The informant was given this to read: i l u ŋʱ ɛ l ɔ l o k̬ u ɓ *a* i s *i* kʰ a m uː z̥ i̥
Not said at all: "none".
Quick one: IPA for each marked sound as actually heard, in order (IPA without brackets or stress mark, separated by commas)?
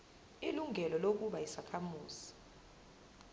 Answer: a, a